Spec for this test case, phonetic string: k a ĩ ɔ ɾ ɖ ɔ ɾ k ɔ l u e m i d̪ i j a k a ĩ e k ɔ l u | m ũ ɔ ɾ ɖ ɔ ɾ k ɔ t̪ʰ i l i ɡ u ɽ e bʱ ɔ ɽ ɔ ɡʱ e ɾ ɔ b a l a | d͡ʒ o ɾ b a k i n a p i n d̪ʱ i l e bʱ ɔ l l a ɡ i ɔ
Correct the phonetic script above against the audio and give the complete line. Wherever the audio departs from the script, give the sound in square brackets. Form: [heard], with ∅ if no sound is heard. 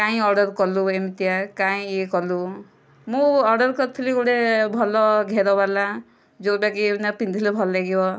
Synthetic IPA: k a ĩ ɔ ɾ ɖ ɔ ɾ k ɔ l u e m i [t̪] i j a k a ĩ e k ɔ l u | m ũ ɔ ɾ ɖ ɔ ɾ k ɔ t̪ʰ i l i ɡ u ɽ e bʱ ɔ [l] ɔ ɡʱ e ɾ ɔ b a l a | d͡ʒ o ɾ b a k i n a p i n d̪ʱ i l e bʱ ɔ l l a ɡ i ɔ